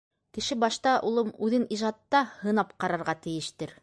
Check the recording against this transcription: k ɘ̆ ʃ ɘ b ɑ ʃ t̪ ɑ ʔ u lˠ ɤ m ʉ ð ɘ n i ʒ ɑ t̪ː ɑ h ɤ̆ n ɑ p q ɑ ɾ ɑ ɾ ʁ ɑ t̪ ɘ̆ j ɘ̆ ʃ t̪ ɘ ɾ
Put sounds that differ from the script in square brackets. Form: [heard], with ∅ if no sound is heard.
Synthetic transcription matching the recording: k ɘ̆ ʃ ɘ b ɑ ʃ t̪ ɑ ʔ u lˠ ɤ m ʉ ð ɘ n i ʒ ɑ t̪ː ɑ h ɤ̆ n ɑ p q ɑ ɾ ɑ ɾ ʁ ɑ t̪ ɘ̆ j ɘ̆ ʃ t̪ ɘ ɾ